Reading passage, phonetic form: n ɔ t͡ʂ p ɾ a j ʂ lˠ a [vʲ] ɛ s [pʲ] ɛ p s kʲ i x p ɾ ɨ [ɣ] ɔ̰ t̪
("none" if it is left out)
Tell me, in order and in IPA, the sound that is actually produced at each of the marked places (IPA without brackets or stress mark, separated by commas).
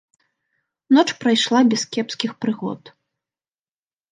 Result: bʲ, kʲ, ɣ